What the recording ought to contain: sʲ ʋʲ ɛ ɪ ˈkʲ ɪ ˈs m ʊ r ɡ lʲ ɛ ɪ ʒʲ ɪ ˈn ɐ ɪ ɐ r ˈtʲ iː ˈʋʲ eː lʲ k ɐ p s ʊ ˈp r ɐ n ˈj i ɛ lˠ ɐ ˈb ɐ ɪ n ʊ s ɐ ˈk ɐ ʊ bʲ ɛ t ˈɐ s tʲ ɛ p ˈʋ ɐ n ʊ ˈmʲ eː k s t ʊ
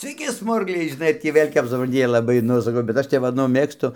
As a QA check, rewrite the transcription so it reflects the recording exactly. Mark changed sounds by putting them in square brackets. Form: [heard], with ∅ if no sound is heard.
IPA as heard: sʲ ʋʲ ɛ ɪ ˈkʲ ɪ ˈs m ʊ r ɡ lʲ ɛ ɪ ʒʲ ɪ ˈn ɐ ɪ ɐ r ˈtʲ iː ˈʋʲ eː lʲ k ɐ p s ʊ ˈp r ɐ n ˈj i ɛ lˠ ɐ ˈb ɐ ɪ n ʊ s ɐ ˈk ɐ ʊ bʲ ɛ t ˈɐ [ʃ] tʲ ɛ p ˈʋ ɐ n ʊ ˈmʲ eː k s t ʊ